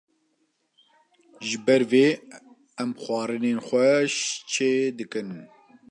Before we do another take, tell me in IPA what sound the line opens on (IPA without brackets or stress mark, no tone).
ʒ